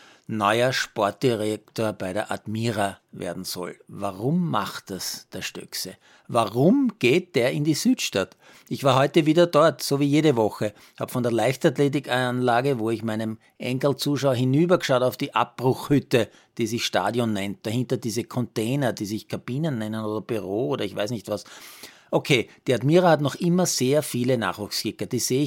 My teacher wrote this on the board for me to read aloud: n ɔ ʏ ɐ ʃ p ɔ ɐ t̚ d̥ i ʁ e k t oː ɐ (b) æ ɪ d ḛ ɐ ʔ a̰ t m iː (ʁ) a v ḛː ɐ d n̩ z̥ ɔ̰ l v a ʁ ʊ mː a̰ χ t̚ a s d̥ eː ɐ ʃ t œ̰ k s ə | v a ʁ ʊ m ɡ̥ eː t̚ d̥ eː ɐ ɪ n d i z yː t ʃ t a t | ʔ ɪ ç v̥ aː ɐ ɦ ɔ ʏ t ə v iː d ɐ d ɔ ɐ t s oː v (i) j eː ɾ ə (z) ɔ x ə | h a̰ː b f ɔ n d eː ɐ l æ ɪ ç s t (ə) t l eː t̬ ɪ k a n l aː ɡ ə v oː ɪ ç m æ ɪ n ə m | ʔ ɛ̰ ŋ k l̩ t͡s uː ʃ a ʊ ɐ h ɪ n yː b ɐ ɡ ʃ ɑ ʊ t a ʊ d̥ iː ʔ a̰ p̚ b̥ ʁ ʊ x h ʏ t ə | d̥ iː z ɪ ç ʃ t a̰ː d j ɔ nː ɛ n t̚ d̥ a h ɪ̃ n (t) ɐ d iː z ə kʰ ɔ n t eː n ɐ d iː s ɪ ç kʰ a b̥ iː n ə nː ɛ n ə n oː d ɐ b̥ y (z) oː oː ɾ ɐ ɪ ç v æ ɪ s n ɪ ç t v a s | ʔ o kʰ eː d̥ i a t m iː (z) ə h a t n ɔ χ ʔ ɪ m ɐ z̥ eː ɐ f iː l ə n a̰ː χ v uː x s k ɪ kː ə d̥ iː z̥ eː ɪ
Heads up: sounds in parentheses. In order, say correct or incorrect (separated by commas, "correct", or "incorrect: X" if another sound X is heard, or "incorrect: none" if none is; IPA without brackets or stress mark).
correct, correct, incorrect: iː, incorrect: v, incorrect: a, correct, incorrect: ʁ, incorrect: ʁ